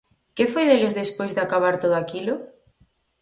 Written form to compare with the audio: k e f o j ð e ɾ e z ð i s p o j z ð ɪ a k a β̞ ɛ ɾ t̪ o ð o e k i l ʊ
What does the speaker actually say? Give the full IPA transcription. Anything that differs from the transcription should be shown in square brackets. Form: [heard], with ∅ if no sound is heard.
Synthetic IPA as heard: k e f o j ð e [l] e z ð [e] s p o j z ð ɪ a k a β̞ [a] ɾ t̪ o ð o [a] k i l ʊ